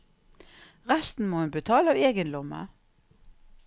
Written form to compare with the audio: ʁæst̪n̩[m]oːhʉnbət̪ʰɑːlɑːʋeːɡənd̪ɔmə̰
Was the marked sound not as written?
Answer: no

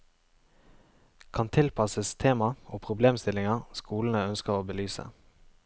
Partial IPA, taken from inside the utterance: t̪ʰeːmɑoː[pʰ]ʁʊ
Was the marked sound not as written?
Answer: no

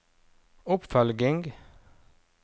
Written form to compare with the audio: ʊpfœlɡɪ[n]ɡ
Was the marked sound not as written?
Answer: yes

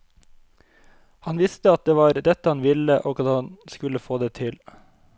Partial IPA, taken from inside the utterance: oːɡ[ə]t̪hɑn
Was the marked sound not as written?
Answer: yes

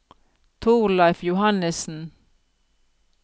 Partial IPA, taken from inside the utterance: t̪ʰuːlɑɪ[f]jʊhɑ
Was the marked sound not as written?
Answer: no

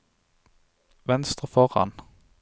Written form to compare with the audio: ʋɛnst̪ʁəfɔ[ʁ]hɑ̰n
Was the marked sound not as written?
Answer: no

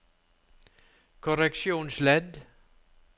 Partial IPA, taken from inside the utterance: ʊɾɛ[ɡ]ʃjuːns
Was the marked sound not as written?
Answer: yes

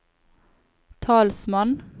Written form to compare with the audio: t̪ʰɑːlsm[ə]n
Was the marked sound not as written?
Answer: yes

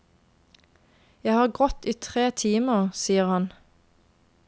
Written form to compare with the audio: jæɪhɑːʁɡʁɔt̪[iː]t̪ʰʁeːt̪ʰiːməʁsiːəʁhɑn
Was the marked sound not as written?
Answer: no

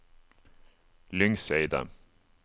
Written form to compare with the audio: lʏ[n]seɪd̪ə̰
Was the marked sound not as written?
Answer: yes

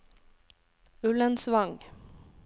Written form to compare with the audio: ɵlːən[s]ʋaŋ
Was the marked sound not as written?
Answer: no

